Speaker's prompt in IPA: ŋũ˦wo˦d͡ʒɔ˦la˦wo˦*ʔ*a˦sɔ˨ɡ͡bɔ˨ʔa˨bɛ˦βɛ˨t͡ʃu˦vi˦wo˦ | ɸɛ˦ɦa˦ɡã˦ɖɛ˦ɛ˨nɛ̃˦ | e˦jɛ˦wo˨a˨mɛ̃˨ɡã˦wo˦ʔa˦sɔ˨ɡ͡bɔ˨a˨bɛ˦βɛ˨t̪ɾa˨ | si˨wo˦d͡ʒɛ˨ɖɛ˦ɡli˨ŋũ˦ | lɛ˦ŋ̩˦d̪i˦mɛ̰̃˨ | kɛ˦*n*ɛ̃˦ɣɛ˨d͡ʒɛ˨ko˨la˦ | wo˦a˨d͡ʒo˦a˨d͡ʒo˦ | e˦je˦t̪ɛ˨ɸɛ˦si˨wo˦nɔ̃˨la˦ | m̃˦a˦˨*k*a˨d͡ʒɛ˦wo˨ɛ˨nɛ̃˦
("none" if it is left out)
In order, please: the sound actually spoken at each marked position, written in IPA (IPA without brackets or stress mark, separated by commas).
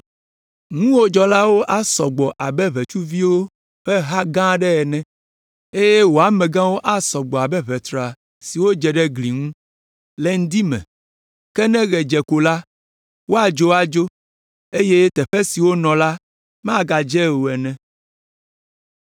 ʔ, n, ɡ